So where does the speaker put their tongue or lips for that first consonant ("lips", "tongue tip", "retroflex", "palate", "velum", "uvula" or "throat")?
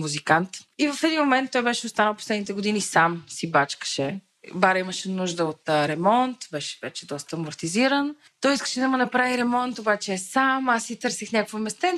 lips